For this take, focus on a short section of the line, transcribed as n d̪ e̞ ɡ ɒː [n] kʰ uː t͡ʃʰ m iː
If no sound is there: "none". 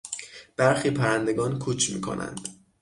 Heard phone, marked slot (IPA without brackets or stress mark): n